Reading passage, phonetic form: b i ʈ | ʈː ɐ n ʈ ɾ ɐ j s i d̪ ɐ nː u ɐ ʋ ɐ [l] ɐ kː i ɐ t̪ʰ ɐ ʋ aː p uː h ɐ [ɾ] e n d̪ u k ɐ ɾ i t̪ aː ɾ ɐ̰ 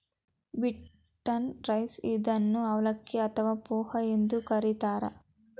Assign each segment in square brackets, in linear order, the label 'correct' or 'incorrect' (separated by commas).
correct, incorrect